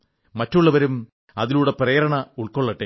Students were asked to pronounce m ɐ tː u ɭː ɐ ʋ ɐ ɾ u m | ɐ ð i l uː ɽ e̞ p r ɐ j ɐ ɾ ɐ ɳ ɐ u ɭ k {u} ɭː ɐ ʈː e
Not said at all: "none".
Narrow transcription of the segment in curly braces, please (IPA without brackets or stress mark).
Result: o